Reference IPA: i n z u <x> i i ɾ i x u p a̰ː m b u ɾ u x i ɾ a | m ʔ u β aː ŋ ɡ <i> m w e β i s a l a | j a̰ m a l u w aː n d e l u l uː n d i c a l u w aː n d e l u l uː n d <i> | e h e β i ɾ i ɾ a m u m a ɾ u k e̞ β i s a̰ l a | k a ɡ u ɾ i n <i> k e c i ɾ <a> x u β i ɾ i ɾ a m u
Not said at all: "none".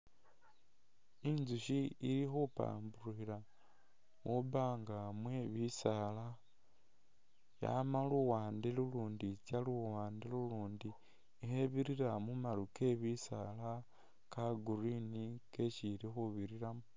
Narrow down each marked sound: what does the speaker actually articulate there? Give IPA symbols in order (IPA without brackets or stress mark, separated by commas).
ʃ, a, i, i, i